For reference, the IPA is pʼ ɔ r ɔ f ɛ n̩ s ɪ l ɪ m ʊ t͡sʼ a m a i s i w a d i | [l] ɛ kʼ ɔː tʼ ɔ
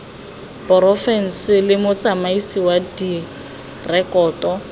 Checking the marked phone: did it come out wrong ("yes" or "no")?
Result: yes